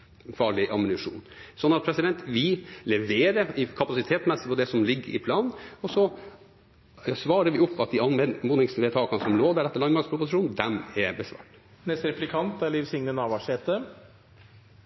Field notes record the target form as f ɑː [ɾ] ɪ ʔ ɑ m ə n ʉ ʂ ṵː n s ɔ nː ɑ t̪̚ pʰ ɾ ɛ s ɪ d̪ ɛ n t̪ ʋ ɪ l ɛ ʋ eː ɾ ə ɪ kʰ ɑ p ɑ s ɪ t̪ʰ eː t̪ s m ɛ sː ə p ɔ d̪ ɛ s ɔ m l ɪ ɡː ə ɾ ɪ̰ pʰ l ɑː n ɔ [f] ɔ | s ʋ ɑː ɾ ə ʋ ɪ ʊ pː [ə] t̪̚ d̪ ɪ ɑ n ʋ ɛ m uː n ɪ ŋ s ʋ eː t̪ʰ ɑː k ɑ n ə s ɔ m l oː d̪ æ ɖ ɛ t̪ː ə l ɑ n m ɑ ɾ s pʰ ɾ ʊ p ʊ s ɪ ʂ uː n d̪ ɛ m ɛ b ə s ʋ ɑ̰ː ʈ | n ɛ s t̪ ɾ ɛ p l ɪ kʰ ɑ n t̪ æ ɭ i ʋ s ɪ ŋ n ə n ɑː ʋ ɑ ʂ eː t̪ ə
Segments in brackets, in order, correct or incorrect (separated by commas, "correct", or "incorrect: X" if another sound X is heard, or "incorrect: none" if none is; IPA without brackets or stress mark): incorrect: ɭ, incorrect: s, incorrect: ɑ